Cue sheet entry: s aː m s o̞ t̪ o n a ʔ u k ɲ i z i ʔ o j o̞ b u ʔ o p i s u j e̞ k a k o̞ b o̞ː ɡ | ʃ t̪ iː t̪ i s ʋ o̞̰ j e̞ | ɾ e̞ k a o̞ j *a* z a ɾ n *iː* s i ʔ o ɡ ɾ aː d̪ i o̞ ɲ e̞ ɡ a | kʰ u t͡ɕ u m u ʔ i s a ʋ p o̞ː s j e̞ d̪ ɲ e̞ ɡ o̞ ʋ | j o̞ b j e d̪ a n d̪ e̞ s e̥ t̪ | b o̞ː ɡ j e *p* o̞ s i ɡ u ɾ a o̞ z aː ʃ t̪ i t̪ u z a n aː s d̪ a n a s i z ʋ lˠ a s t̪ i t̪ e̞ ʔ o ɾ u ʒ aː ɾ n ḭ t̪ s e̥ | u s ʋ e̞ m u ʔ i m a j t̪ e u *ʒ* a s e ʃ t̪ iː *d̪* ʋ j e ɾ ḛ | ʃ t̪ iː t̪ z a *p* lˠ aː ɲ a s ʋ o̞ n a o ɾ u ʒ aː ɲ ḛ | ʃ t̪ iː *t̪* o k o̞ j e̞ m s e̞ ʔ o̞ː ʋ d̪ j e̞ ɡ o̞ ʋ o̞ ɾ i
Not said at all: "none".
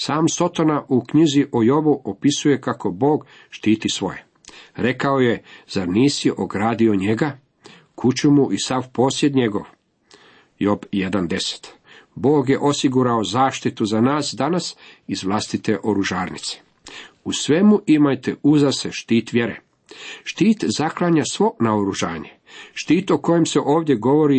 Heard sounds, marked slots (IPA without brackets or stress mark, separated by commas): e, iː, ʔ, z, t̪, k, t̪